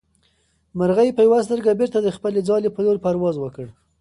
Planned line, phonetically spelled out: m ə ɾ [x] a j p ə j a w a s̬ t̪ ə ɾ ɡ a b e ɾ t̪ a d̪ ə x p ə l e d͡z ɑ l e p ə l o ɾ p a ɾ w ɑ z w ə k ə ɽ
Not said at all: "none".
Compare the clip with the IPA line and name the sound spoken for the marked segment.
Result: ɣ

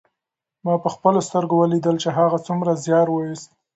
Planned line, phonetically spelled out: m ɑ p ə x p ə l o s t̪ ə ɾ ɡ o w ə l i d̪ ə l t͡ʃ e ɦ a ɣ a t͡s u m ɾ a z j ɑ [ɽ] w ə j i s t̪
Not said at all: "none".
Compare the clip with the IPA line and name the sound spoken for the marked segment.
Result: ɾ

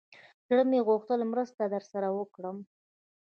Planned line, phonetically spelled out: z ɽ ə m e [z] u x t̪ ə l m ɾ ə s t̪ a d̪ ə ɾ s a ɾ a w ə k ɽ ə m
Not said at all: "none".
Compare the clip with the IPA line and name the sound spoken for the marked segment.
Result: ɣ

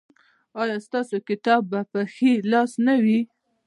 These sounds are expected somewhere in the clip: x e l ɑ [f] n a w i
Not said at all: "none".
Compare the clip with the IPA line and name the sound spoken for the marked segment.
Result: s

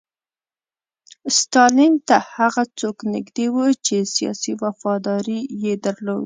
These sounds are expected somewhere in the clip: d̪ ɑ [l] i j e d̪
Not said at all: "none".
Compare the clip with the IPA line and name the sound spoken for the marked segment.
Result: ɾ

